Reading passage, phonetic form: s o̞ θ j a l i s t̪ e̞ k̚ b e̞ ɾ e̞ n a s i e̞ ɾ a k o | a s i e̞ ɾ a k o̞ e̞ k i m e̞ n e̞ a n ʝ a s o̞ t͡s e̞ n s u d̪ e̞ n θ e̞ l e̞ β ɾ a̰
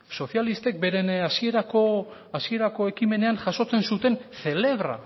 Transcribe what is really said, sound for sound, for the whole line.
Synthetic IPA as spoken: s o̞ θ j a l i s t̪ e̞ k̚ b e̞ ɾ e̞ n a s i e̞ ɾ a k o | a s i e̞ ɾ a k o̞ e̞ k i m e̞ n e̞ a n ʝ a s o̞ t͡s e̞ n s u t̪ e̞ n θ e̞ l e̞ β ɾ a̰